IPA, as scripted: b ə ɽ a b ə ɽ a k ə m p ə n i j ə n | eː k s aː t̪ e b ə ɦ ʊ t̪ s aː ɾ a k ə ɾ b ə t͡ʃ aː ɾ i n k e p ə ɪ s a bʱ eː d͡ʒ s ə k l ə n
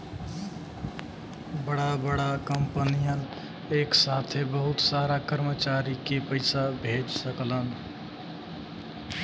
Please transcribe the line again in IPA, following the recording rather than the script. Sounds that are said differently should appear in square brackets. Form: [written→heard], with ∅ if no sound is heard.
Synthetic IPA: b ə ɽ a b ə ɽ a k ə m p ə n i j ə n | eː k s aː [t̪→t̪ʰ] e b ə ɦ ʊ t̪ s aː ɾ a k ə ɾ [b→m] ə t͡ʃ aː ɾ i [n→∅] k e p ə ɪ s a bʱ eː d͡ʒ s ə k l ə n